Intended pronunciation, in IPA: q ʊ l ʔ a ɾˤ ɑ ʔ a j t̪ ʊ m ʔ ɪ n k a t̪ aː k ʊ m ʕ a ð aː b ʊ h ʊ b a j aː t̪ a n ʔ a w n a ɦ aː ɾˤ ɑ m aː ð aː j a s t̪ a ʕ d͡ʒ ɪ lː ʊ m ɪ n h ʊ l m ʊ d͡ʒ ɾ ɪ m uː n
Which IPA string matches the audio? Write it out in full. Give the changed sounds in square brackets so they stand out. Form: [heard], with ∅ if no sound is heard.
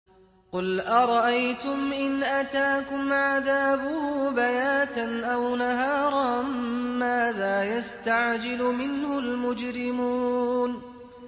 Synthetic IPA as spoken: q ʊ l ʔ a ɾˤ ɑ ʔ a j t̪ ʊ m ʔ ɪ n [ʔ] a t̪ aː k ʊ m ʕ a ð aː b ʊ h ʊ b a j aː t̪ a n ʔ a w n a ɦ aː ɾˤ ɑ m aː ð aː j a s t̪ a ʕ d͡ʒ ɪ [l] ʊ m ɪ n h ʊ l m ʊ d͡ʒ ɾ ɪ m uː n